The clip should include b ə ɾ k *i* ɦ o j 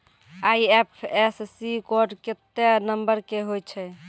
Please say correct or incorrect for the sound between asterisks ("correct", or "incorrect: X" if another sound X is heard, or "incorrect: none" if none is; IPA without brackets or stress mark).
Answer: incorrect: e